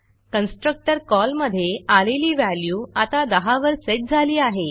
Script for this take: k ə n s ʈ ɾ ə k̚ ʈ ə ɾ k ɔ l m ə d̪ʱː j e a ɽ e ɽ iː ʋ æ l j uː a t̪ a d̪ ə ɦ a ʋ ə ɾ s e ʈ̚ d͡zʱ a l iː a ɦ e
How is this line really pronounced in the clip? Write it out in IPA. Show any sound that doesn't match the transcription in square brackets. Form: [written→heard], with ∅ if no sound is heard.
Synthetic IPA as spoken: k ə n s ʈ ɾ ə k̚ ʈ ə ɾ k ɔ l m ə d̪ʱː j e a [ɽ→l] e [ɽ→l] iː ʋ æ l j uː a t̪ a d̪ ə ɦ a ʋ ə ɾ s e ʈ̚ d͡zʱ a l iː a ɦ e